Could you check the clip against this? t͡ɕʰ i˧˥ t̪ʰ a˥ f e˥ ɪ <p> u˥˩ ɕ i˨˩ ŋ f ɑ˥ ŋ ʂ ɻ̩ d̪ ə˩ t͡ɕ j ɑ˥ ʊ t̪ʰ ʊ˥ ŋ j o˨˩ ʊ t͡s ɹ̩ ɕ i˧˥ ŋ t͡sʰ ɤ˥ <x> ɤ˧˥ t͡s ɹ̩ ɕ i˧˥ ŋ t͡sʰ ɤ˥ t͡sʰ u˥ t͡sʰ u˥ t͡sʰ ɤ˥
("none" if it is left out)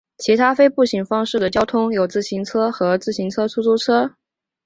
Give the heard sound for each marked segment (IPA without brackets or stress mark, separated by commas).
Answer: p, x